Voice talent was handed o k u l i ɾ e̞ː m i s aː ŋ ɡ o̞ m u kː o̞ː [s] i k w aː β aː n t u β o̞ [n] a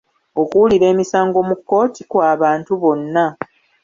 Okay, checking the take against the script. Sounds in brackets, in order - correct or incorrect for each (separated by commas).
incorrect, incorrect